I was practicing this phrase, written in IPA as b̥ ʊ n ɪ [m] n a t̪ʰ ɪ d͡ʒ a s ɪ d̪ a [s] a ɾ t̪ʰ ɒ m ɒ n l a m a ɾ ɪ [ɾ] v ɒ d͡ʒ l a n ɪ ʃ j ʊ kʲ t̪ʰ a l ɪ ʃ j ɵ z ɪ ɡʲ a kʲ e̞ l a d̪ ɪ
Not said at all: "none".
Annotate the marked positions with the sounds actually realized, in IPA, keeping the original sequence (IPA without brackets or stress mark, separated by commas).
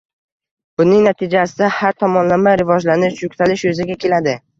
ŋ, h, none